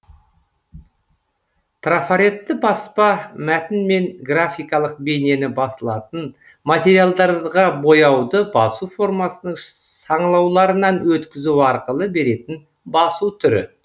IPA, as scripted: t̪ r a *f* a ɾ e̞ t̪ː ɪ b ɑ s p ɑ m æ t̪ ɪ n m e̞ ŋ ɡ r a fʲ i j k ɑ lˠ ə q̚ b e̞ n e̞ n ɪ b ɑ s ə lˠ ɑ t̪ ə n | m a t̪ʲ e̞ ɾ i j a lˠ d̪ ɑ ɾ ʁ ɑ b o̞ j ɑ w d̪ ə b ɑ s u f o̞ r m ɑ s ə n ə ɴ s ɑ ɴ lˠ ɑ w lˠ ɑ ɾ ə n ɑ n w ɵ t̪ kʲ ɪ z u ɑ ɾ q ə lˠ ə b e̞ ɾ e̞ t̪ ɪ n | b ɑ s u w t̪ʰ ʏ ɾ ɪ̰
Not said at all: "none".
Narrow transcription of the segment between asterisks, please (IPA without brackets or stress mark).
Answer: f